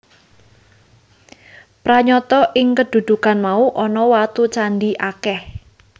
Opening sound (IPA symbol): p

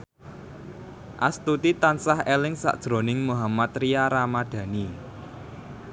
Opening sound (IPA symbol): ʔ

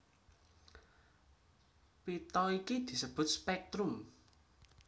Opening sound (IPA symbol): p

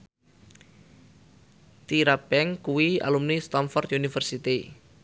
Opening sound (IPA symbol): t̪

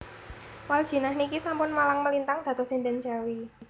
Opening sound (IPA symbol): w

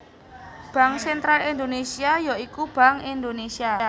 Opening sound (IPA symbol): b̥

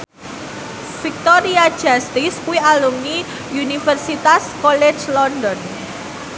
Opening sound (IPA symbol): f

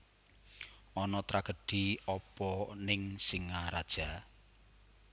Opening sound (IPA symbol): ɔ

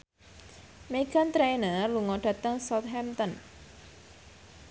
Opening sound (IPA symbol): m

